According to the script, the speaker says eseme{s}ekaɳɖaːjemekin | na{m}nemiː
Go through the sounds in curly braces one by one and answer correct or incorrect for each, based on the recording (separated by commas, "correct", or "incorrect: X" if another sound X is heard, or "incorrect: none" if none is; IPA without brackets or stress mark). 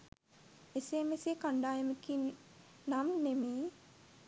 correct, correct